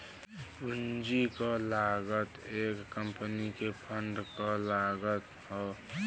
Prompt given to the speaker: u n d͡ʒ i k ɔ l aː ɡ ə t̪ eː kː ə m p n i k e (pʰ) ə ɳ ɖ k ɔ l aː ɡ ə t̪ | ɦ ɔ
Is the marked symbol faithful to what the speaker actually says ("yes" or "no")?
yes